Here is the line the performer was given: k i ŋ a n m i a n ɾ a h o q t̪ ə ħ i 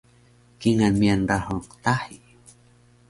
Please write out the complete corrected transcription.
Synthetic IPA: k i ŋ a n m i a n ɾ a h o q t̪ a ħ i